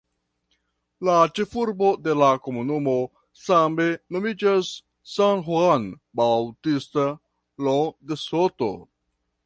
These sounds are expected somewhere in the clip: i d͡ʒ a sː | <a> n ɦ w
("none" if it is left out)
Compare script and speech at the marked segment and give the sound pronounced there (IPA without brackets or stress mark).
a